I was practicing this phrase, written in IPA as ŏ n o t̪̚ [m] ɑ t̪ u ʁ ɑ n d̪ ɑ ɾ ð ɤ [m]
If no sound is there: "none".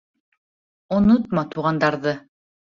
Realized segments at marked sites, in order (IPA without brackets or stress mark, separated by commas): m, none